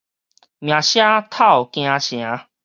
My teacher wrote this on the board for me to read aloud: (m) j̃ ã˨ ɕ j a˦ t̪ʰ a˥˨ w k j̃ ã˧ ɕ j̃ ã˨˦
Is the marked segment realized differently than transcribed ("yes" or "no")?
no